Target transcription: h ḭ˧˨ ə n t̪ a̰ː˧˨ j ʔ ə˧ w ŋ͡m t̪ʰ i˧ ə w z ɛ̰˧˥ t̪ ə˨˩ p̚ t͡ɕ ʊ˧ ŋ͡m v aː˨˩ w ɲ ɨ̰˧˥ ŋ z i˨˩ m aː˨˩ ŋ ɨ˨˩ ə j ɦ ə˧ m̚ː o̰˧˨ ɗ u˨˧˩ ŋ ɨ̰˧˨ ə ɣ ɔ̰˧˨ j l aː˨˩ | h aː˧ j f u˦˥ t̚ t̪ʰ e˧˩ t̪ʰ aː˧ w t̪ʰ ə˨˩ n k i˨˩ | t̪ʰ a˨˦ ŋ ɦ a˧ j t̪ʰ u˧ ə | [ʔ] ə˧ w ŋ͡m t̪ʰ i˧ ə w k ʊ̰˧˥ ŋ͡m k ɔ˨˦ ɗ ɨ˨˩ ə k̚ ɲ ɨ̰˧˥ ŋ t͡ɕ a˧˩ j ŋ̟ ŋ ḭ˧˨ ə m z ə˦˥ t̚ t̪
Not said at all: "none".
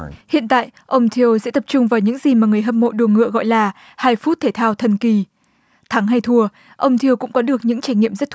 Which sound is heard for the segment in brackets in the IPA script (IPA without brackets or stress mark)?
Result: ʔ